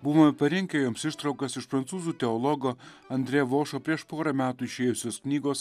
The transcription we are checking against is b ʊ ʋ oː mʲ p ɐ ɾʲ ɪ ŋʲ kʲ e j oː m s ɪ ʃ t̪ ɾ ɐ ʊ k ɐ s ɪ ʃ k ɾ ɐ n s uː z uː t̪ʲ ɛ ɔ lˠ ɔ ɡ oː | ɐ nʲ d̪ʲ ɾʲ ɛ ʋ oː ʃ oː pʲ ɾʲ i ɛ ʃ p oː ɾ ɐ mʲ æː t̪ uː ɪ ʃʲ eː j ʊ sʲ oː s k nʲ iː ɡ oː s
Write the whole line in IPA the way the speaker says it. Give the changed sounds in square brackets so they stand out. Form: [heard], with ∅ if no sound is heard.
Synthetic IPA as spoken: b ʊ ʋ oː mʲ p ɐ ɾʲ ɪ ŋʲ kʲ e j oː m s ɪ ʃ t̪ ɾ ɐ ʊ k ɐ s ɪ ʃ [p] ɾ ɐ n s uː z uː t̪ʲ ɛ ɔ lˠ ɔ ɡ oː | ɐ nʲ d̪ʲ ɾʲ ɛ ʋ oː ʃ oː pʲ ɾʲ i ɛ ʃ p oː ɾ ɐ mʲ æː t̪ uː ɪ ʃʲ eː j ʊ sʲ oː s k nʲ iː ɡ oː s